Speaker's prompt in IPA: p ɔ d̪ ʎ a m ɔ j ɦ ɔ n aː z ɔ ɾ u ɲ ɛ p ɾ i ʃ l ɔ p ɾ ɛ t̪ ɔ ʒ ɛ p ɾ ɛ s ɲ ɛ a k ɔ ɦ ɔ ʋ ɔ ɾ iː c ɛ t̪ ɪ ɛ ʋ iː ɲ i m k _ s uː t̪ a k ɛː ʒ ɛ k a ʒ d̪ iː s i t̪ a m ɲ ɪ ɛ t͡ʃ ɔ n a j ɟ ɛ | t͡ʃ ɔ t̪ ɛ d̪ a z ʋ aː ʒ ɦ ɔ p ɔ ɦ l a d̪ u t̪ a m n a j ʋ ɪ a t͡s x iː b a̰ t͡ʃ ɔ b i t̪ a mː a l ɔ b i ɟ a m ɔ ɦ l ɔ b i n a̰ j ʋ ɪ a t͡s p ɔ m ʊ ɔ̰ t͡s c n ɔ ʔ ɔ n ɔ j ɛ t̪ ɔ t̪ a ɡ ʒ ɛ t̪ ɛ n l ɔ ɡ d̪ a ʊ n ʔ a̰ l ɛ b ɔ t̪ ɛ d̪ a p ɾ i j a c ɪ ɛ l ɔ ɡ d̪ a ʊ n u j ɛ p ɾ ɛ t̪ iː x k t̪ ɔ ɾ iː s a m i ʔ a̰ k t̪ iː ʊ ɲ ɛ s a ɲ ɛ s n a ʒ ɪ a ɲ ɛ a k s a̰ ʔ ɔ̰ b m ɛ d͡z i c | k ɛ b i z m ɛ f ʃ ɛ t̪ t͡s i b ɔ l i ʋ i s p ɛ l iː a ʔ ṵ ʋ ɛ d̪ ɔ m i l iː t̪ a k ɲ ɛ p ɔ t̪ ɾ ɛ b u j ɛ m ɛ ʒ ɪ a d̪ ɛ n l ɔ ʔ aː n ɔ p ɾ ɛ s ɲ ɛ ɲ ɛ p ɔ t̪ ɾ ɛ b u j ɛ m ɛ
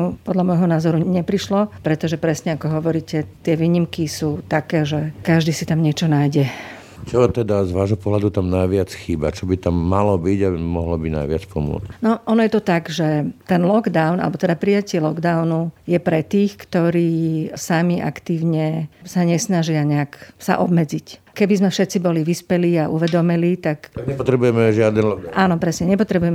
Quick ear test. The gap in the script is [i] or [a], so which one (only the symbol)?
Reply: i